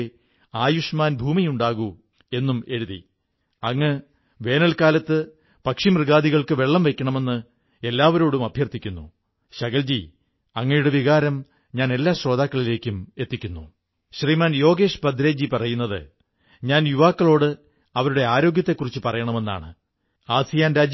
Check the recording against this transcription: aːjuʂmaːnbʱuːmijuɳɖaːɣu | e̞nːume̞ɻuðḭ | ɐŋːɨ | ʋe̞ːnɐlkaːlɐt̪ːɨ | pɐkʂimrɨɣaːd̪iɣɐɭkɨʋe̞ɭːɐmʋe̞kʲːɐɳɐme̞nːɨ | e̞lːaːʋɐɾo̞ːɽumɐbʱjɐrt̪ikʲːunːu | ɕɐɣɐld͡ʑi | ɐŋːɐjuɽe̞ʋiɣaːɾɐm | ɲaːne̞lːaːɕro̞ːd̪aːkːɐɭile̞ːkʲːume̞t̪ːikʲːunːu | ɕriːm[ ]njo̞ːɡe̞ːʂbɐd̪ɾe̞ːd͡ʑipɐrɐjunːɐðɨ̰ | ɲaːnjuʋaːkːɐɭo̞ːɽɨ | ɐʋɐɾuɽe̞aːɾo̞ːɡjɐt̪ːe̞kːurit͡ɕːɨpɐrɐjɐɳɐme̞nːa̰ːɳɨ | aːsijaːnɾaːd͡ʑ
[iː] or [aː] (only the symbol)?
aː